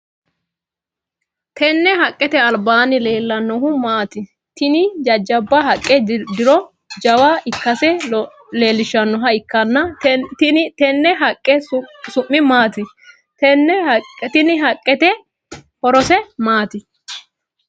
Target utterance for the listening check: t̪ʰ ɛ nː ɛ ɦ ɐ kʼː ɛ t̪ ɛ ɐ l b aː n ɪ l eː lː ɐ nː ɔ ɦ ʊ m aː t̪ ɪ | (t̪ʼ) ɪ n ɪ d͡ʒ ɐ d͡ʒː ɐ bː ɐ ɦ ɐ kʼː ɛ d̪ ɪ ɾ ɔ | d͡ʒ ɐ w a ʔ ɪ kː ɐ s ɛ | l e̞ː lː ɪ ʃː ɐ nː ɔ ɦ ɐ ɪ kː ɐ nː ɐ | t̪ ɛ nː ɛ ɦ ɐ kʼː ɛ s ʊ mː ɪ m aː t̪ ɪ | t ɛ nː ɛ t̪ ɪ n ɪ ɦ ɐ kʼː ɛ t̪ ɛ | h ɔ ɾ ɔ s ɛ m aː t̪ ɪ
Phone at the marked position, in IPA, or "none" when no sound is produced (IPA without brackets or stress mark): t̪